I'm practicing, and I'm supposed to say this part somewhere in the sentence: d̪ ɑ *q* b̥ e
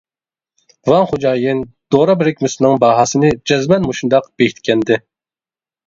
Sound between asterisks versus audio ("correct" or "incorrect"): correct